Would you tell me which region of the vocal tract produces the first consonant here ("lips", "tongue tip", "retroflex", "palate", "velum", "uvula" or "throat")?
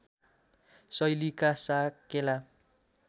tongue tip